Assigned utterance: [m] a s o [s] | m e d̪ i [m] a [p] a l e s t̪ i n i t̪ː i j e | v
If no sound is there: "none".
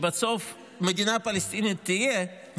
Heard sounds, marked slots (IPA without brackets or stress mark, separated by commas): b, f, n, p